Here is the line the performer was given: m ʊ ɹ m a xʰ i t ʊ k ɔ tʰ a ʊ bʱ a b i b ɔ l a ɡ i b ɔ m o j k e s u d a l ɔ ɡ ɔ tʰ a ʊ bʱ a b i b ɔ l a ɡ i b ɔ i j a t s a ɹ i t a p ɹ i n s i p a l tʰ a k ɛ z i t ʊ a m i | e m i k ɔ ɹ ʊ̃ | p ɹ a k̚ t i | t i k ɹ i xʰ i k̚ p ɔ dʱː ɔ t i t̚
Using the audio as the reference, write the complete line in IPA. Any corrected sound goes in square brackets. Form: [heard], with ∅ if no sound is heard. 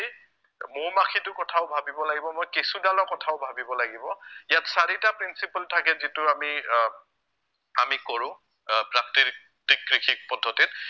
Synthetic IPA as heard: m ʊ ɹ m a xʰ i t ʊ k ɔ tʰ a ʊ bʱ a b i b ɔ l a ɡ i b ɔ m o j k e s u d a l ɔ [k] ɔ tʰ a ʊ bʱ a b i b ɔ l a ɡ i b ɔ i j a t s a ɹ i t a p ɹ i n s i p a l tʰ a k ɛ z i t ʊ a m i | [a] m i k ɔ ɹ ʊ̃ | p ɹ a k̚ t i | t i k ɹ i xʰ i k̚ p ɔ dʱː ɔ t i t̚